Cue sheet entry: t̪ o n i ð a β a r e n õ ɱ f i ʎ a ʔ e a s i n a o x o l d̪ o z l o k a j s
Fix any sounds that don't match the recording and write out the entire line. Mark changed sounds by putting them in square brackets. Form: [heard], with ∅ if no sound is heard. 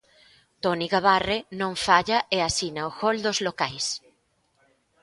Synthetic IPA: t̪ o n i [ɣ] a β a r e n õ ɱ f [a] ʎ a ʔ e a s i n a o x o l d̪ o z l o k a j s